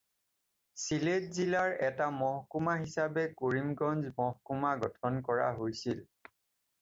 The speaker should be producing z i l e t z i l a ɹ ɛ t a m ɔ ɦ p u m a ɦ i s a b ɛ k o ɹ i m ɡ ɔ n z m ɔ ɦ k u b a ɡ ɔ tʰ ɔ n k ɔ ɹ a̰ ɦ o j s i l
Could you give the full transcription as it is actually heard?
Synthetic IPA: s i l e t z i l a ɹ ɛ t a m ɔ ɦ k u m a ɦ i s a b ɛ k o ɹ i m ɡ ɔ n z m ɔ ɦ k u m a ɡ ɔ tʰ ɔ n k ɔ ɹ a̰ ɦ o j s i l